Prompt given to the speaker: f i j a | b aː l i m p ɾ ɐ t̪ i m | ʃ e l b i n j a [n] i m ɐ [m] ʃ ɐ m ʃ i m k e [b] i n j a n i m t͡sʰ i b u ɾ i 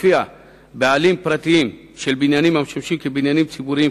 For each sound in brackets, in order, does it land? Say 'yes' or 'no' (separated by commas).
yes, yes, yes